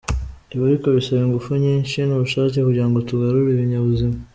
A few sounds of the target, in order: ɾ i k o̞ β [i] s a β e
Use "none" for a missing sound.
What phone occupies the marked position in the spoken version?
i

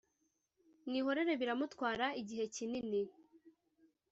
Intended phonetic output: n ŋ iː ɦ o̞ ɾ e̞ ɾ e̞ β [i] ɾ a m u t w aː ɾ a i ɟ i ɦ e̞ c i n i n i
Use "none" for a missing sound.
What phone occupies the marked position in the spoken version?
i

